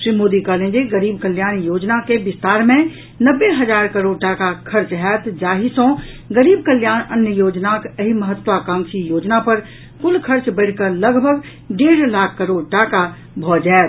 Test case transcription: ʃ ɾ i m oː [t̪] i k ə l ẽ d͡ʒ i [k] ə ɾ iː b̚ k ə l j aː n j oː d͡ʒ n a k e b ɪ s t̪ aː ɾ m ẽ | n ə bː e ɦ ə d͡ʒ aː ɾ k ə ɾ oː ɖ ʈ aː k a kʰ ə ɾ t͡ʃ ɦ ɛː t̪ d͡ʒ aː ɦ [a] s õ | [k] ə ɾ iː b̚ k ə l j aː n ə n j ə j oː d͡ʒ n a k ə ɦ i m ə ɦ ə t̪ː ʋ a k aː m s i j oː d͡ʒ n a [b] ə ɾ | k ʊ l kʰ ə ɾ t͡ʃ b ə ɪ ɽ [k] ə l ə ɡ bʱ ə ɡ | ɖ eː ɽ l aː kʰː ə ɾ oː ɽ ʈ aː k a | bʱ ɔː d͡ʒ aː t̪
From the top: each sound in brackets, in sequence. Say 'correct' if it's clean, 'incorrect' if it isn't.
incorrect: d̪, incorrect: ɡ, incorrect: i, incorrect: ɡ, incorrect: p, correct

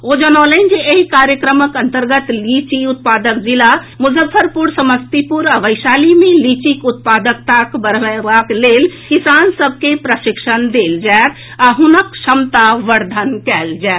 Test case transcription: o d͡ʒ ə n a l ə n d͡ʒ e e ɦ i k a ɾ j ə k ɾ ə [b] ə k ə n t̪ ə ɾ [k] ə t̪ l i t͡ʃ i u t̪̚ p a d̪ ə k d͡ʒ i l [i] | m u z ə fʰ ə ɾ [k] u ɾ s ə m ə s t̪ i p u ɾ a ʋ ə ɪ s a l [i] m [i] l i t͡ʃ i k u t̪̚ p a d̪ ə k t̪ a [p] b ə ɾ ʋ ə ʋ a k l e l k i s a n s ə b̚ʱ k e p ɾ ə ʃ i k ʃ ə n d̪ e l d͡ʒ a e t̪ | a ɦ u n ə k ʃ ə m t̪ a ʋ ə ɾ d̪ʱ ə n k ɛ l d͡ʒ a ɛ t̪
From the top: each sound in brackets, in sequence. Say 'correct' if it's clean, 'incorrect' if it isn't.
incorrect: m, incorrect: ɡ, incorrect: a, incorrect: p, correct, incorrect: e, incorrect: k

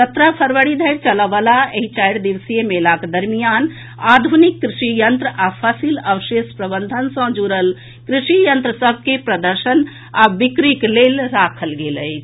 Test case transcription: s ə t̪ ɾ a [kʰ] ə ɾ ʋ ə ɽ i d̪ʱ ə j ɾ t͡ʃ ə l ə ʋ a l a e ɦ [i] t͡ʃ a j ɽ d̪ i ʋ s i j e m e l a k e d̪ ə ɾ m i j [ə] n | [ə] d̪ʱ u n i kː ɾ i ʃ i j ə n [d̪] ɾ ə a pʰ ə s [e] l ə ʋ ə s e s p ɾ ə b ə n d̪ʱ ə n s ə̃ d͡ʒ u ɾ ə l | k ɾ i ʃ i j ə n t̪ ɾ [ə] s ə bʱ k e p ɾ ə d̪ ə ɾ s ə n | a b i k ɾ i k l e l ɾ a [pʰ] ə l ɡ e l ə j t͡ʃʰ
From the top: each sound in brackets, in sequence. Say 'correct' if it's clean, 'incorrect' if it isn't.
incorrect: pʰ, correct, incorrect: a, incorrect: a, incorrect: t̪, incorrect: i, correct, incorrect: kʰ

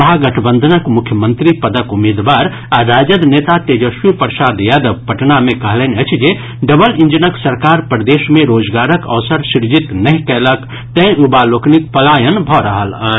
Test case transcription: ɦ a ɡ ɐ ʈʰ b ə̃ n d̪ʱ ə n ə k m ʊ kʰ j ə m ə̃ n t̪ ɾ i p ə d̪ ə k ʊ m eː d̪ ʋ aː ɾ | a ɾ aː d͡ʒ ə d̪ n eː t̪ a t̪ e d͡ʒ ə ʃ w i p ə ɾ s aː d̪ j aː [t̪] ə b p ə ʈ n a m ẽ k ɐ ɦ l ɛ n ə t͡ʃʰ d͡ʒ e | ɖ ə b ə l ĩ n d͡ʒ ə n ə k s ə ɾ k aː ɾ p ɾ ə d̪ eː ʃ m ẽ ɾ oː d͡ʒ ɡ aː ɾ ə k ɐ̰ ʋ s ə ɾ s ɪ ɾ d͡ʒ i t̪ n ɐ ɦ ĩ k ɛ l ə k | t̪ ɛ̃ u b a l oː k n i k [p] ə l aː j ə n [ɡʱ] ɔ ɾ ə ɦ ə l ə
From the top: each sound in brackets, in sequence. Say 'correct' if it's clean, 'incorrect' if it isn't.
incorrect: d̪, correct, incorrect: bʱ

